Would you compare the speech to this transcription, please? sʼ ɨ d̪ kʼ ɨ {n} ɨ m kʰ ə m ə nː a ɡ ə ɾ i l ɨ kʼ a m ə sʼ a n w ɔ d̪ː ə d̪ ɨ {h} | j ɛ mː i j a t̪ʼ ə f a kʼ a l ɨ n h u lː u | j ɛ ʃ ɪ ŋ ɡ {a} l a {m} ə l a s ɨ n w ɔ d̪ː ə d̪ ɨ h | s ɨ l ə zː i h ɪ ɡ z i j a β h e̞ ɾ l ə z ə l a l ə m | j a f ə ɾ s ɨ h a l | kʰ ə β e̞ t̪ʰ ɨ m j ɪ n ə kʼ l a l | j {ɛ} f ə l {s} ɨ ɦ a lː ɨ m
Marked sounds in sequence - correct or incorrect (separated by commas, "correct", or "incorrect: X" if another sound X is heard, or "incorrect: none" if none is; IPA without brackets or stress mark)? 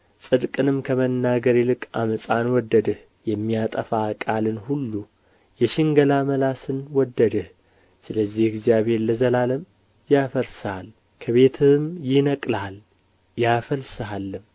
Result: correct, correct, incorrect: ə, correct, incorrect: a, correct